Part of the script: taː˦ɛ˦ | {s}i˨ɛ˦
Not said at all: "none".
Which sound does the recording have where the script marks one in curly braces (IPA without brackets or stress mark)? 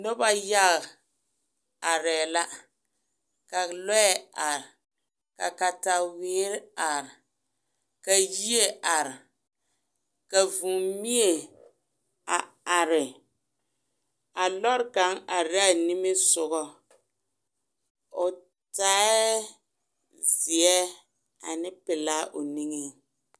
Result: z